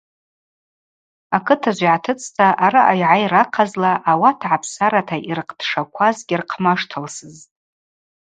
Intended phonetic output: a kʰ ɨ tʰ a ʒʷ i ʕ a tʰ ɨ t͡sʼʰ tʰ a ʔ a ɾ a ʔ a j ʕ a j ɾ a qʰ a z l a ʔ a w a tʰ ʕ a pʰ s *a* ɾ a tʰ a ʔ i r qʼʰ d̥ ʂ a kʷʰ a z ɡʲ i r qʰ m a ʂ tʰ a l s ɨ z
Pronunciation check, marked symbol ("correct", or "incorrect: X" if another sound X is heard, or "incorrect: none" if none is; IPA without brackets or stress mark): correct